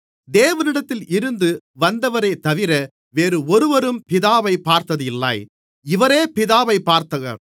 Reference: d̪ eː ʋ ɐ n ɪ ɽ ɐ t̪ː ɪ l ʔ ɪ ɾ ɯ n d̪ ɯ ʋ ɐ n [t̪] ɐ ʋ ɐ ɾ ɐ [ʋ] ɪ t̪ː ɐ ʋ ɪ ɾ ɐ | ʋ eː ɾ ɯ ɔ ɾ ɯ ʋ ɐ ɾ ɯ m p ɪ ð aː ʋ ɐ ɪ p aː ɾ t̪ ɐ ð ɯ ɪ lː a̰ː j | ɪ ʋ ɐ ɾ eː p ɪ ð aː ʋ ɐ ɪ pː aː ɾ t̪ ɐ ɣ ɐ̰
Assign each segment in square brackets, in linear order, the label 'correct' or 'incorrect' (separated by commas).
incorrect, incorrect